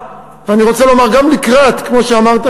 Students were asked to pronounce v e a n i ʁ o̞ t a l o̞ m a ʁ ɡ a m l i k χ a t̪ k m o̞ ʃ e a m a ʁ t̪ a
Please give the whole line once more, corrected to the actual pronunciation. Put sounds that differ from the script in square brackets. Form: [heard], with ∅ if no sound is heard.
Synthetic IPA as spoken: v e a n i ʁ o̞ [t͡s] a l o̞ m a ʁ ɡ a m l i k [ʁ] a t̪ k m o̞ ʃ e a m a ʁ t̪ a